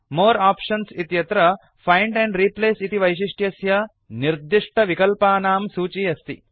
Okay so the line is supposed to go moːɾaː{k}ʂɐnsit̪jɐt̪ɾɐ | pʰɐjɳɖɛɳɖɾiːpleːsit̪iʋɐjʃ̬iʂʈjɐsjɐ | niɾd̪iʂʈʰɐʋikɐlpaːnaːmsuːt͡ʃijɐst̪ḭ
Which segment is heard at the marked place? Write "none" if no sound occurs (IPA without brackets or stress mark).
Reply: p